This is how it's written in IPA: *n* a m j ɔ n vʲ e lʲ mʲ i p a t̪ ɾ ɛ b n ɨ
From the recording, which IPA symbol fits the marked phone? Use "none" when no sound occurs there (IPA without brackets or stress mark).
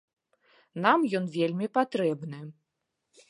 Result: n